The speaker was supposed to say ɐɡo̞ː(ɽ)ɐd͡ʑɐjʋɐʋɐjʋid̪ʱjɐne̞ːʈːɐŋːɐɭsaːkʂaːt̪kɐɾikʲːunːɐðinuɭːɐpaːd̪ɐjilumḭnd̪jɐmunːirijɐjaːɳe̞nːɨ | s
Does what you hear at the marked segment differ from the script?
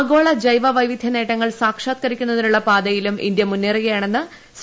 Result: yes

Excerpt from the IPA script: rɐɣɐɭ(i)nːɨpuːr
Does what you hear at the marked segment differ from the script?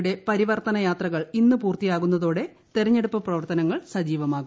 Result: no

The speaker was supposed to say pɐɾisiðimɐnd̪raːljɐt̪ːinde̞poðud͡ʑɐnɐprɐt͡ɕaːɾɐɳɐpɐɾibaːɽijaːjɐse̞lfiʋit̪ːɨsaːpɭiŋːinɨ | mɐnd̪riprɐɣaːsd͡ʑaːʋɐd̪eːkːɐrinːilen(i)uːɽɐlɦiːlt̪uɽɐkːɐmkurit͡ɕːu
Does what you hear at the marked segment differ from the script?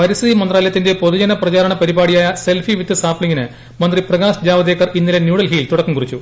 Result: yes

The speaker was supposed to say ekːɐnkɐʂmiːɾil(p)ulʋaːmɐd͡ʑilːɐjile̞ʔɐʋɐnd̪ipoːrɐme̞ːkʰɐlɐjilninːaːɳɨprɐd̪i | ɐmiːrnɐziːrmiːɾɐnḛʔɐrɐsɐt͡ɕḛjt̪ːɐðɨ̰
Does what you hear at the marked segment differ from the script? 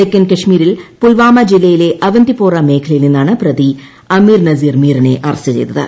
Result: no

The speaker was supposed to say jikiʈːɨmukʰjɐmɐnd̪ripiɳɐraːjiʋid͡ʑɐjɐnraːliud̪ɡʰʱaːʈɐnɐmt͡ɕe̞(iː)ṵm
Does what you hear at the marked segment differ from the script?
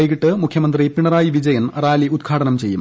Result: yes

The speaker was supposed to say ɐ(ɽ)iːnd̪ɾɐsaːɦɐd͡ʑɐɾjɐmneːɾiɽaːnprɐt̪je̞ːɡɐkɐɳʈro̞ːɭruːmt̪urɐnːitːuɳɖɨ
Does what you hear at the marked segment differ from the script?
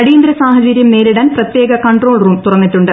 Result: no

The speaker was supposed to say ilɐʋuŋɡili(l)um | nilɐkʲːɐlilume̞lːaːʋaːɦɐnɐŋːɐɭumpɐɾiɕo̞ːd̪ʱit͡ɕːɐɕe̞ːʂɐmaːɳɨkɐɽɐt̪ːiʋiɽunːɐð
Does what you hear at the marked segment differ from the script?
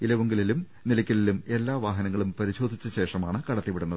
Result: no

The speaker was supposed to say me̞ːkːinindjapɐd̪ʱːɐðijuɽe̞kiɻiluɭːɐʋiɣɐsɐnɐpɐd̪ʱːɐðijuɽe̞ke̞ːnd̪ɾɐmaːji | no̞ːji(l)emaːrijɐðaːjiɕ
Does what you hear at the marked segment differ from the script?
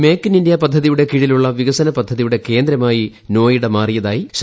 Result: yes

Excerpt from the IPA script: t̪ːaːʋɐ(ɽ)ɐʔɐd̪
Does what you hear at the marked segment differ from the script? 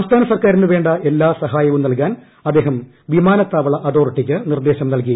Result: yes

